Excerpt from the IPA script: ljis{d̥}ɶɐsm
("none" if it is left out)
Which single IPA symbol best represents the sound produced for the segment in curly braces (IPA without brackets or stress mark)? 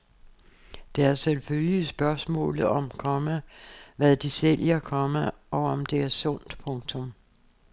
b̥